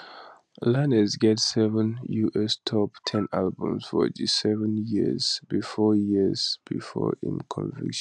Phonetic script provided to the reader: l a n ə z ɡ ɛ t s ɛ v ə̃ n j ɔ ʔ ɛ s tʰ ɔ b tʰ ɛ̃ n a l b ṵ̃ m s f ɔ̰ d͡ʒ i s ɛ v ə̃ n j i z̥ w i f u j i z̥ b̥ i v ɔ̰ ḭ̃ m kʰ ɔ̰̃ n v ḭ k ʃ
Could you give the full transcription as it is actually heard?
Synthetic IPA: l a n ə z ɡ ɛ t s ɛ v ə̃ n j u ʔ ɛ s tʰ ɔ p tʰ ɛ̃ n a l b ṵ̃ m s f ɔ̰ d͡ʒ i s ɛ v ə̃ n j i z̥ b i f ɔ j i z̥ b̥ i f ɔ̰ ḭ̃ m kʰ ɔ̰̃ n v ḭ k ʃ